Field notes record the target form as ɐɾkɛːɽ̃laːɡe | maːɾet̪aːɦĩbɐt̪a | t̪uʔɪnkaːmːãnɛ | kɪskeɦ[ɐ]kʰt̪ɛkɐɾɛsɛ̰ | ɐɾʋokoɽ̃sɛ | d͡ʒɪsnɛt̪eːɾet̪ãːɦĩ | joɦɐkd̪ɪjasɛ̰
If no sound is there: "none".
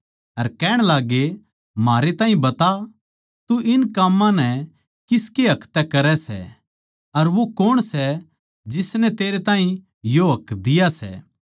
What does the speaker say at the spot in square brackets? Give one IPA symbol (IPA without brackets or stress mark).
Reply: ɐ